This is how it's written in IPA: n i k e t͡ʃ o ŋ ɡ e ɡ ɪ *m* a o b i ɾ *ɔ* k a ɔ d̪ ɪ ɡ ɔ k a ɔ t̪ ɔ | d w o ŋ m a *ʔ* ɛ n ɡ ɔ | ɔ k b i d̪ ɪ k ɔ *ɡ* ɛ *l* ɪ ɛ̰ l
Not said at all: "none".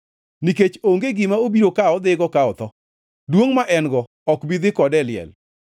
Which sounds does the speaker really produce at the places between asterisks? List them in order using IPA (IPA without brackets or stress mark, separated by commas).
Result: m, o, ʔ, d, l